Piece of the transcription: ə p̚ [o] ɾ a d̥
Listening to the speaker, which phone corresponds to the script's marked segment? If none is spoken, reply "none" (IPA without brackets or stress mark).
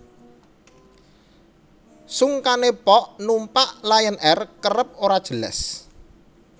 o